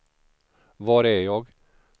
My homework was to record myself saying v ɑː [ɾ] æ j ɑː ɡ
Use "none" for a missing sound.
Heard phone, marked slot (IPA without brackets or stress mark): ɾ